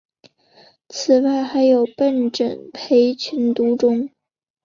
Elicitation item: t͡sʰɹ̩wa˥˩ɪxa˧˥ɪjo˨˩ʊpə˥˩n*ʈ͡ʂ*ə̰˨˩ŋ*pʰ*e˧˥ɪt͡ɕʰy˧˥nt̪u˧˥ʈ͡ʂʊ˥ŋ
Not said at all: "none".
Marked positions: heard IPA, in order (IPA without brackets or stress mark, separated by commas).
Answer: ʈ͡ʂ, pʰ